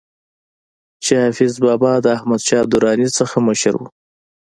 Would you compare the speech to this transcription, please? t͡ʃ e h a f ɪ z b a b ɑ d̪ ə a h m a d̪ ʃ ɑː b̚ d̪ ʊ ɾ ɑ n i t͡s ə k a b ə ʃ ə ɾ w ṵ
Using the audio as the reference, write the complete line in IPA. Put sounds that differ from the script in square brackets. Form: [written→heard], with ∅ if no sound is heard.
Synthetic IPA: t͡ʃ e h a f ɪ z b [a→ɑ] b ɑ d̪ ə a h m a d̪ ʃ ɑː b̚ d̪ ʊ ɾ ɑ n i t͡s ə [k→x] a [b→m] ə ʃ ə ɾ w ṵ